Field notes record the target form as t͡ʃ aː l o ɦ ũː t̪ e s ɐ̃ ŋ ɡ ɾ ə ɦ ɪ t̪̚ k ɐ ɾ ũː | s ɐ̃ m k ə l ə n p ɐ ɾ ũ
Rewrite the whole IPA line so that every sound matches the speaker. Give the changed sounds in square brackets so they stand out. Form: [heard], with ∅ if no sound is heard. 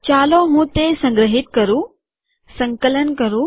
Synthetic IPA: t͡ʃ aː l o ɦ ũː t̪ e s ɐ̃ ŋ ɡ ɾ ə ɦ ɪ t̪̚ k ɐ ɾ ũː | s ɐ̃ [ŋ] k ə l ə n [k] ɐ ɾ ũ